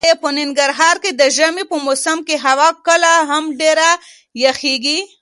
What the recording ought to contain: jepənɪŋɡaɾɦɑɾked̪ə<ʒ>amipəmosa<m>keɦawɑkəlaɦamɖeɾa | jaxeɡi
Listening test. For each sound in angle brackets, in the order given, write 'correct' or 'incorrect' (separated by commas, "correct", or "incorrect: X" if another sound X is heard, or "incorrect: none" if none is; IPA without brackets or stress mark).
correct, correct